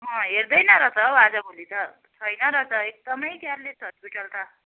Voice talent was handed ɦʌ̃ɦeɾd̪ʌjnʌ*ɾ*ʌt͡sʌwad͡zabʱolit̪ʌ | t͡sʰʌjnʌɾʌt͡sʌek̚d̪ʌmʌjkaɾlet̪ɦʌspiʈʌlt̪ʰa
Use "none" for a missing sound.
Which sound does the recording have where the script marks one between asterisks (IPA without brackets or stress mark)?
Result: ɾ